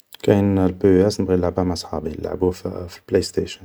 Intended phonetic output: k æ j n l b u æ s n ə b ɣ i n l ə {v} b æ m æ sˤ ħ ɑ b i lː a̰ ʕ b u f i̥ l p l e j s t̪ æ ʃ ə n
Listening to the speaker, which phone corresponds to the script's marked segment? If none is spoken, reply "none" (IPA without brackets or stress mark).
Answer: ʕ